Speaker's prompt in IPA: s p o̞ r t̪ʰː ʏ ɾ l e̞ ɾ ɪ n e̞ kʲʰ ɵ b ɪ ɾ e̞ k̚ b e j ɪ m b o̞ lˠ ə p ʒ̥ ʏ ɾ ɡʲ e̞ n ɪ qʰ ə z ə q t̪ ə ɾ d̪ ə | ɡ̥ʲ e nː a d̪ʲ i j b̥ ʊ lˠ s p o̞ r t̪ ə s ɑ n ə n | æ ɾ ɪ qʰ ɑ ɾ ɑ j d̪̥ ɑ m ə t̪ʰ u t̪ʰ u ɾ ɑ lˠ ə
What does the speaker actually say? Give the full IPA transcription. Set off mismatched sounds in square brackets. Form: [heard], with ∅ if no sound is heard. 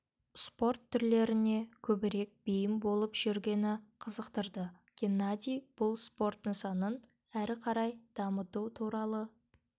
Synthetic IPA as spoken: s p o̞ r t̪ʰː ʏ ɾ l e̞ ɾ ɪ n e̞ kʲʰ ɵ b ɪ ɾ e̞ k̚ b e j ɪ m b o̞ lˠ ə p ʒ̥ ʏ ɾ ɡʲ e̞ n ɪ qʰ ə z ə q t̪ ə ɾ d̪ ə | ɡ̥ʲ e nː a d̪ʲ i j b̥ ʊ lˠ s p o̞ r t̪ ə s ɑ n ə n | æ ɾ ɪ qʰ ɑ ɾ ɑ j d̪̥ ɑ m ə [t̪] u t̪ʰ u ɾ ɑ lˠ ə

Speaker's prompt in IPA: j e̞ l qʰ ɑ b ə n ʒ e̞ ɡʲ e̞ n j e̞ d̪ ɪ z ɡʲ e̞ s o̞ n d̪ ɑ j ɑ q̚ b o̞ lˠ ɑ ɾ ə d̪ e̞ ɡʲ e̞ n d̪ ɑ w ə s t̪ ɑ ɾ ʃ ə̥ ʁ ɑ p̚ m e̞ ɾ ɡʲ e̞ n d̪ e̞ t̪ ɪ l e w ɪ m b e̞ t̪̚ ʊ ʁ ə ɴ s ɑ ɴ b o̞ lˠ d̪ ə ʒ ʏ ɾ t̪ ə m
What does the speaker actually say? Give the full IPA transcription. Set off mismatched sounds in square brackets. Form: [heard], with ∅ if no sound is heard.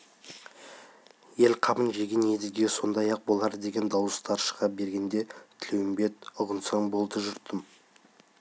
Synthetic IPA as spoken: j e̞ l qʰ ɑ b ə n ʒ e̞ ɡʲ e̞ n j e̞ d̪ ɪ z ɡʲ e̞ s o̞ n d̪ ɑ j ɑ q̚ b o̞ lˠ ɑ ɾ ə d̪ e̞ ɡʲ e̞ n d̪ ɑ w ə s t̪ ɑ ɾ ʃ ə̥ ʁ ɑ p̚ [b] e̞ ɾ ɡʲ e̞ n d̪ e̞ [t̪ʰ] ɪ l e w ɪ m b e̞ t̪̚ ʊ ʁ ə [n] s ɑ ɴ b o̞ lˠ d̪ ə ʒ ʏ ɾ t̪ ə m

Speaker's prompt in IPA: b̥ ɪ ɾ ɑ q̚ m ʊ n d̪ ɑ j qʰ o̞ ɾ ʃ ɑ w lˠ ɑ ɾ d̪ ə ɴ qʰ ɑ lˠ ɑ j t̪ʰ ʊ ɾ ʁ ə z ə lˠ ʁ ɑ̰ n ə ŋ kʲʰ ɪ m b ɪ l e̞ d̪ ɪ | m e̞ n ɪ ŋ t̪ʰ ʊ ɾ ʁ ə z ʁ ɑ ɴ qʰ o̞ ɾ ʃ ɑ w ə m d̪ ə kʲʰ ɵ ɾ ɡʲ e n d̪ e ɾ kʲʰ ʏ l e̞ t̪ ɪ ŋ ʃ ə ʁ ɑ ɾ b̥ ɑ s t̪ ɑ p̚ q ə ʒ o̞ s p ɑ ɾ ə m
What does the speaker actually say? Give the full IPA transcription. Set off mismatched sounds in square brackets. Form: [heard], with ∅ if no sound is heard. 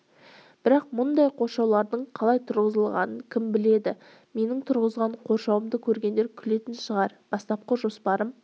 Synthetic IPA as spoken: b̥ ɪ ɾ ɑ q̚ m ʊ n d̪ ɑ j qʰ o̞ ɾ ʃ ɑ w lˠ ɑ ɾ d̪ ə ɴ qʰ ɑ lˠ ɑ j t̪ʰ ʊ ɾ ʁ ə z ə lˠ ʁ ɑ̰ n ə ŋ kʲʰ ɪ m b ɪ l e̞ d̪ ɪ | m e̞ n ɪ ŋ t̪ʰ ʊ ɾ ʁ ə z ʁ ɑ ɴ qʰ o̞ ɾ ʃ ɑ w ə m d̪ ə kʲʰ ɵ ɾ ɡʲ e n d̪ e ɾ kʲʰ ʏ l e̞ t̪ ɪ [n] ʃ ə ʁ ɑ ɾ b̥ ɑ s t̪ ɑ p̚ q ə ʒ o̞ s p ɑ ɾ ə m

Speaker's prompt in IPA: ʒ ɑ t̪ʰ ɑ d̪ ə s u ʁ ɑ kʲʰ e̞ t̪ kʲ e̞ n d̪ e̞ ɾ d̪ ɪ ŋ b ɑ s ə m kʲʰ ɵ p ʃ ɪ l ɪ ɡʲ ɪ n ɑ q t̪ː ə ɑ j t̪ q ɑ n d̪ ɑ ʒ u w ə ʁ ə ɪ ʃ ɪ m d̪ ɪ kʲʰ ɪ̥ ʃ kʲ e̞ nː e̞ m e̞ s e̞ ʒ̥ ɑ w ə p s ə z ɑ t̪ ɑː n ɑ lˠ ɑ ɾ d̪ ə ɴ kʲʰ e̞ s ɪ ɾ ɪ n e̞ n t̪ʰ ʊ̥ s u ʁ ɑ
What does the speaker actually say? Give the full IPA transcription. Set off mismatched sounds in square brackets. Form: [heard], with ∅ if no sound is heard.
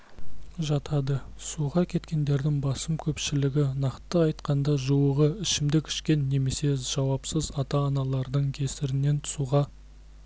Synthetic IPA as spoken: ʒ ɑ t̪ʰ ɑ d̪ ə s u ʁ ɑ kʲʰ e̞ t̪ kʲ e̞ n d̪ e̞ ɾ d̪ ɪ ŋ b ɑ s ə m kʲʰ ɵ p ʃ ɪ l ɪ ɡʲ ɪ n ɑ q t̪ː ə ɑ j t̪ q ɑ n d̪ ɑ ʒ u w ə ʁ ə ɪ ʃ ɪ m d̪ ɪ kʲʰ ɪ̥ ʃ kʲ e̞ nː e̞ m e̞ s e̞ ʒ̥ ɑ w [ɑ] p s ə z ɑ t̪ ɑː n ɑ lˠ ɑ ɾ d̪ ə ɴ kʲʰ e̞ s ɪ ɾ ɪ n e̞ n t̪ʰ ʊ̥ s u ʁ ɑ

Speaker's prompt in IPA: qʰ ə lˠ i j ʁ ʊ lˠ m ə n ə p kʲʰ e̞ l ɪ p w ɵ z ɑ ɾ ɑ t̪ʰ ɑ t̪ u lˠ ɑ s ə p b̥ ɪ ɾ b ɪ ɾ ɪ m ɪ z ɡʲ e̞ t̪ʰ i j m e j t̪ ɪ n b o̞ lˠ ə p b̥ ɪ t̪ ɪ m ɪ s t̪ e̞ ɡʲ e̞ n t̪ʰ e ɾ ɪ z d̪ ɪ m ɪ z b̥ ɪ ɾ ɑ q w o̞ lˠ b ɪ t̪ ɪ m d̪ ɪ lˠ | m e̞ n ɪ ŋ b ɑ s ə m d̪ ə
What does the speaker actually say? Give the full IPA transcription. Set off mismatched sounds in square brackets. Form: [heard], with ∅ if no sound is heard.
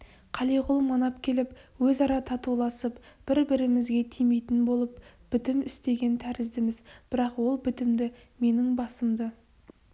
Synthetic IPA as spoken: qʰ [ɑ] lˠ i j ʁ ʊ lˠ m [ɑ] n [ɑ] p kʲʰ e̞ l ɪ p w ɵ z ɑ ɾ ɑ t̪ʰ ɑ t̪ u lˠ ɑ s ə p b̥ ɪ ɾ b ɪ ɾ ɪ m ɪ z ɡʲ e̞ t̪ʰ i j m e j t̪ ɪ n b o̞ lˠ ə p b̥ ɪ t̪ ɪ m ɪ s t̪ e̞ ɡʲ e̞ n t̪ʰ [æ] ɾ ɪ z d̪ ɪ m ɪ z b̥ ɪ ɾ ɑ q w o̞ lˠ b ɪ t̪ ɪ m d̪ ɪ [∅] | m e̞ n ɪ ŋ b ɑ s ə m d̪ ə

